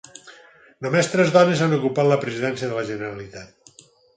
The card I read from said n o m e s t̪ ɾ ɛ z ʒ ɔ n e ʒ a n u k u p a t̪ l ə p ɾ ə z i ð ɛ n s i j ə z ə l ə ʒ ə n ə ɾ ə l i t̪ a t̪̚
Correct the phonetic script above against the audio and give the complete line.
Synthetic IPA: n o m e s t̪ ɾ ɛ z ð ɔ n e z a n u k u p a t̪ l ə p ɾ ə z i ð ɛ n s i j ə ð ə l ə ʒ ə n ə ɾ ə l i t̪ a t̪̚